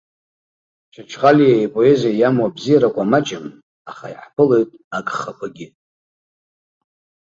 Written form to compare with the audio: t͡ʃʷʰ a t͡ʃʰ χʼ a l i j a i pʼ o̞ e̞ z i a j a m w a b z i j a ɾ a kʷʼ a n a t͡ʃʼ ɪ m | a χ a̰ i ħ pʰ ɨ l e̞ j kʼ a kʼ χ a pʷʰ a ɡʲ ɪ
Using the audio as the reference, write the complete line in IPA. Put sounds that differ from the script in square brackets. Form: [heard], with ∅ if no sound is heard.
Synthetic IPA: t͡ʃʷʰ a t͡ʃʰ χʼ a l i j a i pʼ o̞ e̞ z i a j a m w a b z i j a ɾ a kʷʼ a [m] a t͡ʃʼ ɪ m | a χ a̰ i ħ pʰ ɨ l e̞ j [tʼ] a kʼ χ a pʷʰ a ɡʲ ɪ